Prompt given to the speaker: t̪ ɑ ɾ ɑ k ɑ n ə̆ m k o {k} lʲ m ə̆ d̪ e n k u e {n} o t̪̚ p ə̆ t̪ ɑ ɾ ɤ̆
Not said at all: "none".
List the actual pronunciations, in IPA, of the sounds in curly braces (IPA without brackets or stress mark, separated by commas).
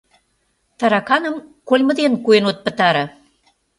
none, n